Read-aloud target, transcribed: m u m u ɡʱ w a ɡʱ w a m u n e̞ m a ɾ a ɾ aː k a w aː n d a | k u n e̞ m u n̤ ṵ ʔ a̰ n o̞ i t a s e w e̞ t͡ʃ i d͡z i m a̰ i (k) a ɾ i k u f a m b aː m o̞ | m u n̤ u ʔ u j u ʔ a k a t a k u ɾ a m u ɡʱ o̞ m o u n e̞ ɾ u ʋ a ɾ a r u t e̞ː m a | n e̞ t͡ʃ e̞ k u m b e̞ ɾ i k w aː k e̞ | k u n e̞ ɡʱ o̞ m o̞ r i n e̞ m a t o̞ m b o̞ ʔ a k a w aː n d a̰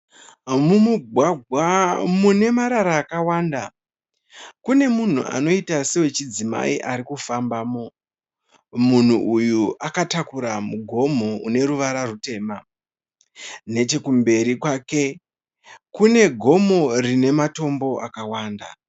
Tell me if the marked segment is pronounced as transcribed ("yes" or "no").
no